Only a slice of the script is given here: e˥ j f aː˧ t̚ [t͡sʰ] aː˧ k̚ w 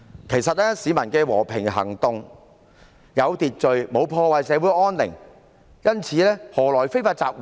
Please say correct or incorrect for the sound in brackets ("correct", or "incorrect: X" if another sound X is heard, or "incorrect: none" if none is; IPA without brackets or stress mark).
incorrect: t͡s